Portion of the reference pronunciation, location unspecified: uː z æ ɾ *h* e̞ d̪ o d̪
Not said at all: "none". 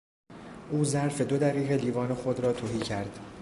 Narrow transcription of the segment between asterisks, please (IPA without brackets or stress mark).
f